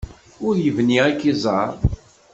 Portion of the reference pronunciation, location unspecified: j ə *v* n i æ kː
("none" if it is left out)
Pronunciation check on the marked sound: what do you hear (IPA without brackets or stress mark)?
v